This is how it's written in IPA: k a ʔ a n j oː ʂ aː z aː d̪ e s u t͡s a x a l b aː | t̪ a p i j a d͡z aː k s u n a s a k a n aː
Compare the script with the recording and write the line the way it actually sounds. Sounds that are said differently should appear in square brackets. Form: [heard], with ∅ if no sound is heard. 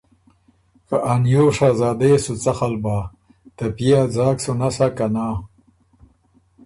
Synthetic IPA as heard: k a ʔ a n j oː ʂ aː z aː d̪ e s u t͡s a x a l b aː | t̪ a p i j a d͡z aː k s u n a s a k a n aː